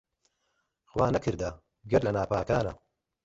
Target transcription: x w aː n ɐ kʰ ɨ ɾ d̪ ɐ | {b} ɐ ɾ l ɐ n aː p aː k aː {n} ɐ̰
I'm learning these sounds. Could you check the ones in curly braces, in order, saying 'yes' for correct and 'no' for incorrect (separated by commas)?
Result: no, yes